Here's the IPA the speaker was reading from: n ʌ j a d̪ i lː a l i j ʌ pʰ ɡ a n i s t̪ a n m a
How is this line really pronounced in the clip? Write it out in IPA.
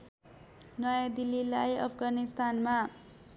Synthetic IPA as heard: n ʌ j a d̪ i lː i l a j ʌ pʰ ɡ a n i s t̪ a n m a